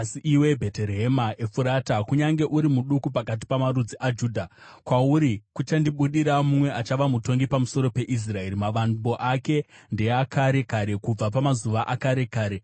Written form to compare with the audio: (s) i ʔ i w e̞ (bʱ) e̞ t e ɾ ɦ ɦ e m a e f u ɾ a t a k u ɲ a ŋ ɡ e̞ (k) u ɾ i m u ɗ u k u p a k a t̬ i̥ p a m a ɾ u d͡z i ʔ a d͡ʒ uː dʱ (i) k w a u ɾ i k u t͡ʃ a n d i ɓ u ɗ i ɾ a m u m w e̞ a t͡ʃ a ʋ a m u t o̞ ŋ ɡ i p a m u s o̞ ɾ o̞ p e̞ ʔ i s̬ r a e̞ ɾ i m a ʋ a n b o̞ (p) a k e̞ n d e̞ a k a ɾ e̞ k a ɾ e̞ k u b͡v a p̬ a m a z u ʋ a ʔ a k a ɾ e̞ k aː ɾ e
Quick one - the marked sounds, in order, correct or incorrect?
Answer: correct, correct, incorrect: ʔ, incorrect: a, incorrect: ʔ

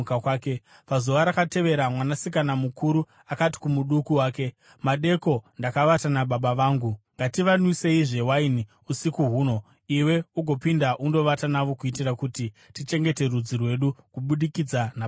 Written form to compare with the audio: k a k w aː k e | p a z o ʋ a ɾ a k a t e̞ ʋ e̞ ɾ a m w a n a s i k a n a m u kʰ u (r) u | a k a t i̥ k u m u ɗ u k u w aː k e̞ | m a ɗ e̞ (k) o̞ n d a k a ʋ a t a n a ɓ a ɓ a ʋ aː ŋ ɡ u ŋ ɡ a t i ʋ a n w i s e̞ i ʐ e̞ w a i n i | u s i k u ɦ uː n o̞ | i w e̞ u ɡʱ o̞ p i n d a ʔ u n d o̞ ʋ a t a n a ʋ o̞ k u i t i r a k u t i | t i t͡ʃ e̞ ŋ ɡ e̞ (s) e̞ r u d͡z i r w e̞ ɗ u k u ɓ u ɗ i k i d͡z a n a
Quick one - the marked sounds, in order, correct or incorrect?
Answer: incorrect: ɾ, correct, incorrect: t

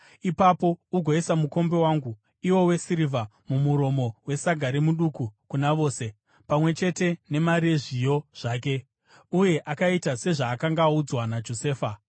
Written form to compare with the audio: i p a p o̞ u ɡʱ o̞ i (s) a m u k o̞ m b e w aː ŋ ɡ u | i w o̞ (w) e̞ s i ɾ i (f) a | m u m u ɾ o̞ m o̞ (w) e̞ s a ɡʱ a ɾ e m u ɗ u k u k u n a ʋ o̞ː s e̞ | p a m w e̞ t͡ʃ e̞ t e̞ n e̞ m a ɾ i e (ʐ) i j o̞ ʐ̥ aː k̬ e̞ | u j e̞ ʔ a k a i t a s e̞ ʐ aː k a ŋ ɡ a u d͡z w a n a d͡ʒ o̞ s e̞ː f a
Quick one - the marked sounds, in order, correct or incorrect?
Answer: correct, correct, incorrect: v, correct, correct

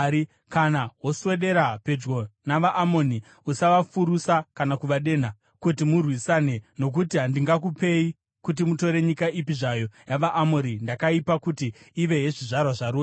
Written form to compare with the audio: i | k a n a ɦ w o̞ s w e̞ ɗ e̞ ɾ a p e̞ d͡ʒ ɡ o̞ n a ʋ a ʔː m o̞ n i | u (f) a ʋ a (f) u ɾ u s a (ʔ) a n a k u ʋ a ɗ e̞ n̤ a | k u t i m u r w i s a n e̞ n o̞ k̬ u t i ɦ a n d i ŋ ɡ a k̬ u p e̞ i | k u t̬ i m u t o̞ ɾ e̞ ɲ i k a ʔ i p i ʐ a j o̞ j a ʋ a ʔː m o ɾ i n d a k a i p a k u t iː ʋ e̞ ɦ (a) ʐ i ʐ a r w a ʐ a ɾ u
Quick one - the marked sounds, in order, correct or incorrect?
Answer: incorrect: s, correct, incorrect: k, incorrect: e

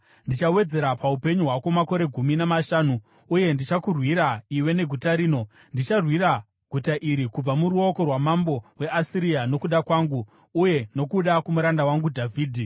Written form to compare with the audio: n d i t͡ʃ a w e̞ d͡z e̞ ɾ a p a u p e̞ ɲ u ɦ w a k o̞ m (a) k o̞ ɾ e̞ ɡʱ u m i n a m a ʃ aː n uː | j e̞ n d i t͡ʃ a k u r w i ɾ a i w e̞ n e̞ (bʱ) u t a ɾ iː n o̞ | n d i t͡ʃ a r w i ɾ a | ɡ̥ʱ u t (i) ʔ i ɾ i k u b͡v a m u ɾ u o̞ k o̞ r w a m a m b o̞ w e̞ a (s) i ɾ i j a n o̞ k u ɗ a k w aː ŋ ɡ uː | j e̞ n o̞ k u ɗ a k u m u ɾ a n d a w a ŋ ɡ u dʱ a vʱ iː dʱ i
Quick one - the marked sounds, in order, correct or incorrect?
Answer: correct, incorrect: ɡʱ, incorrect: a, correct

